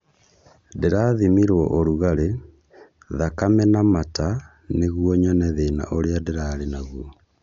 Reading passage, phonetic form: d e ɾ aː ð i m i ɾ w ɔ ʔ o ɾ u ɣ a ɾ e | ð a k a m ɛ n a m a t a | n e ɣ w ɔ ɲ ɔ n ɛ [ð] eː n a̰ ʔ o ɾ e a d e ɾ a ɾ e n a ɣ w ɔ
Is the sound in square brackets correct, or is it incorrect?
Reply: correct